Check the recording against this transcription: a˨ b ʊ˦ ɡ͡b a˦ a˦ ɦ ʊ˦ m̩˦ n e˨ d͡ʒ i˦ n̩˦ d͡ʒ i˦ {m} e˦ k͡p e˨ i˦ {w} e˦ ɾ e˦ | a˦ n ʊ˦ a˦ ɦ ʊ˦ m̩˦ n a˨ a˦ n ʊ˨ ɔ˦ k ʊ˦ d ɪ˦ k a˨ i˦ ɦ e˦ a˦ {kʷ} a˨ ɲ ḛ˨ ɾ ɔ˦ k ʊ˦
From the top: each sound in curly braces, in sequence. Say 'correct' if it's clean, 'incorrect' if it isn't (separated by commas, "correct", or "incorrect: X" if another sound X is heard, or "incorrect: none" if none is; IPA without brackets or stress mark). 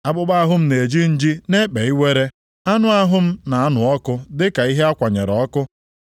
incorrect: n, correct, correct